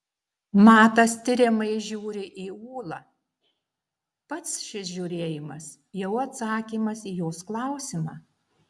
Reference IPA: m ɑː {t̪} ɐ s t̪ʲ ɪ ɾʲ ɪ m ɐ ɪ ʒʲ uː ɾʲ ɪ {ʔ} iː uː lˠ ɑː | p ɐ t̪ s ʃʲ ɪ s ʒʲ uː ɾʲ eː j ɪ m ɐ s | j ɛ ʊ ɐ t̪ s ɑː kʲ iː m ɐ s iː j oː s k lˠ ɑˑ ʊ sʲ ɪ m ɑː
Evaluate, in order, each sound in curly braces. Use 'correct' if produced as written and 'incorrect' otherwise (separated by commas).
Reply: correct, correct